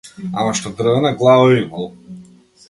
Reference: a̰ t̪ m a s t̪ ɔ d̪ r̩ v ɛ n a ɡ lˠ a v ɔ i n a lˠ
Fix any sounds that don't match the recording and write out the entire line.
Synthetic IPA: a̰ m a ʃ t̪ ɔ d̪ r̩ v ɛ n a ɡ lˠ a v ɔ i m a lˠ